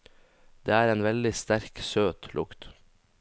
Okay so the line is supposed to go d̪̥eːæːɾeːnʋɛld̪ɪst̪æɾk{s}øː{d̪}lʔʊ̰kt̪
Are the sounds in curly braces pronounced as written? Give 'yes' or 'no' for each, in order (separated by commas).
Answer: yes, no